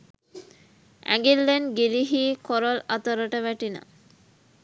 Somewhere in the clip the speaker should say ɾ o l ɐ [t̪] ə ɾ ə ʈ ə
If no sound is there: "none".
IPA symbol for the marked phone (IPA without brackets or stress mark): t̪